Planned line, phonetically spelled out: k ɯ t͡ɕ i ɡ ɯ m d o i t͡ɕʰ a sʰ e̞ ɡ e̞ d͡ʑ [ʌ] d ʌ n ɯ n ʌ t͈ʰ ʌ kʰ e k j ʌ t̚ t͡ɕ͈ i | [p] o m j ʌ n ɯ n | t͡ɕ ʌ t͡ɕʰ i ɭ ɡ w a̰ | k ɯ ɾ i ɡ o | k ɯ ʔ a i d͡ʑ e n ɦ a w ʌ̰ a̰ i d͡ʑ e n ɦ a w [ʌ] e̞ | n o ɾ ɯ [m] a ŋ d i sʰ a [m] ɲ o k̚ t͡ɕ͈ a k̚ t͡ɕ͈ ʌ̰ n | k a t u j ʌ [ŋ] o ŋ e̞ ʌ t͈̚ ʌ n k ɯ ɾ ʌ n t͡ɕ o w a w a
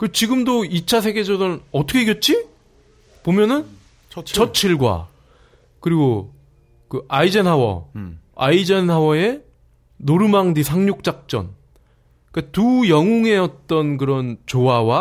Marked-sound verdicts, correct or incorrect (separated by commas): correct, correct, correct, correct, incorrect, correct